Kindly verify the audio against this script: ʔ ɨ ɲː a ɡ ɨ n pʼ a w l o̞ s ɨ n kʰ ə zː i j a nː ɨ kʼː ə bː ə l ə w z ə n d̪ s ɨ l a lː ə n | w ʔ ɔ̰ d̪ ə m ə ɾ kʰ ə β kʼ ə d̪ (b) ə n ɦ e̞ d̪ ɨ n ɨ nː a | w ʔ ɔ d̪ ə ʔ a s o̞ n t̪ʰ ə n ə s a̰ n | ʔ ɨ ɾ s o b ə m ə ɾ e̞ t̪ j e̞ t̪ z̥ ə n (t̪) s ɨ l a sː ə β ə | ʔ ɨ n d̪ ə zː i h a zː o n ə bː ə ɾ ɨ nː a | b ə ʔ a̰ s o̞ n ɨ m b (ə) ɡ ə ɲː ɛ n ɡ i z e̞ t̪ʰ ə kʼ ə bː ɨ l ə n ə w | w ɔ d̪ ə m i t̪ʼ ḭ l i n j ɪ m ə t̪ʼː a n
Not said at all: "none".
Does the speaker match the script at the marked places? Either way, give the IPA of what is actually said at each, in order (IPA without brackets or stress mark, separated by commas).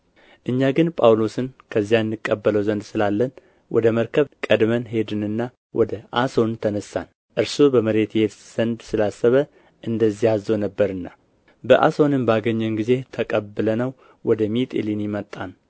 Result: m, d̪, a